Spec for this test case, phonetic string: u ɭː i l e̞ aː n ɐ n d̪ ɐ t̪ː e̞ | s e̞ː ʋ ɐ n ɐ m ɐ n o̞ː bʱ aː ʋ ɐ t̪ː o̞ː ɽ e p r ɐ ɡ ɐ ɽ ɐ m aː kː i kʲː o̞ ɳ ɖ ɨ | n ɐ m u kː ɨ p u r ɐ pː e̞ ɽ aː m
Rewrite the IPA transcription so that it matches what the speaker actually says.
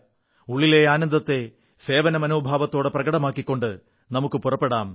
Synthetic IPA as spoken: u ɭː i l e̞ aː n ɐ n d̪ ɐ t̪ː e̞ | s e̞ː ʋ ɐ n ɐ m ɐ n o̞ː bʱ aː ʋ ɐ t̪ː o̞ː ɽ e p r ɐ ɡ ɐ ɽ ɐ m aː kː i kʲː o̞ ɳ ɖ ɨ | n ɐ m u kː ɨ p u r ɐ pː e̞ ɽ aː m